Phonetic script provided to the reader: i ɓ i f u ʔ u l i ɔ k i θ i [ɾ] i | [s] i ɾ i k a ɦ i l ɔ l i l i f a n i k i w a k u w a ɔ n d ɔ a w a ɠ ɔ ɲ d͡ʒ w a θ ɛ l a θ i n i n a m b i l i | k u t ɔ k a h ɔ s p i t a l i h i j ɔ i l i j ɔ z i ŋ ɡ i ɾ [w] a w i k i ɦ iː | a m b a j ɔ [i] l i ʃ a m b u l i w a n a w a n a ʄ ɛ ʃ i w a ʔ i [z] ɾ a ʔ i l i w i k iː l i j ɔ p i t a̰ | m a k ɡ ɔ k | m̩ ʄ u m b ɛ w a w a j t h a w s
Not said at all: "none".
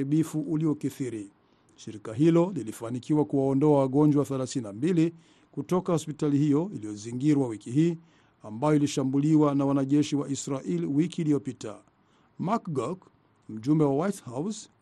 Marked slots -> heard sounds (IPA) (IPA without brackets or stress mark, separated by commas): ɾ, ʃ, w, i, s